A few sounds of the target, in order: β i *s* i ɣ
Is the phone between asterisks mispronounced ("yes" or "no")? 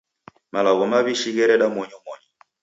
yes